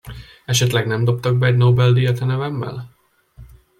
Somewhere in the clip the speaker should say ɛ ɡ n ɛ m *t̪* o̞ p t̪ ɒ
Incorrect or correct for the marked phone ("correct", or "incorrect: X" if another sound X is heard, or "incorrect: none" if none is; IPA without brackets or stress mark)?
incorrect: d̪